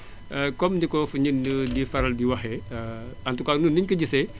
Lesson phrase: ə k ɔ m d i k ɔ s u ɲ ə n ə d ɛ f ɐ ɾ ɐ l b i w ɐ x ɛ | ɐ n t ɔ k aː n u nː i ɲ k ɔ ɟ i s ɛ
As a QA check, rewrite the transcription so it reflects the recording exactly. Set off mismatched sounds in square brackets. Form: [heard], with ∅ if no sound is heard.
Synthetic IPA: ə k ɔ m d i k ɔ [f] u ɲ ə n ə d [i] f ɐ ɾ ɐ l [d] i w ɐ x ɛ | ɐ n t [u] k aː n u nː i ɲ k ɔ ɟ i s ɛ